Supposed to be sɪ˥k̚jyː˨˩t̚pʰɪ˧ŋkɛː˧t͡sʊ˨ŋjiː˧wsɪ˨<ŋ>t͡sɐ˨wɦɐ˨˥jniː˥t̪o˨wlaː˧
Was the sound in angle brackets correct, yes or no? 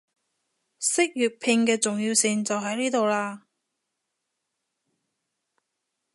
yes